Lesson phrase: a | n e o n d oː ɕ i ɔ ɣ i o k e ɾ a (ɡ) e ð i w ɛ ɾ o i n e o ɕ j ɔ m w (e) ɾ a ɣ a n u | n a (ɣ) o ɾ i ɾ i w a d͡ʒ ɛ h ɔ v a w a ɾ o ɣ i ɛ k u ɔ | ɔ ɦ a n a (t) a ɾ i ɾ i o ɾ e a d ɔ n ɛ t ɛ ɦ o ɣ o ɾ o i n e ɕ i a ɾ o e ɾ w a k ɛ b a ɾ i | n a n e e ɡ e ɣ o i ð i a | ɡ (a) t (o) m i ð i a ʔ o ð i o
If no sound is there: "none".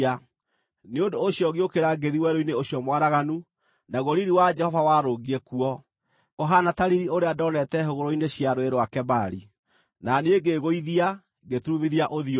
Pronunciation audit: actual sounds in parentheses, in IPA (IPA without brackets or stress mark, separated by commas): ɡ, a, ɣ, t, e, u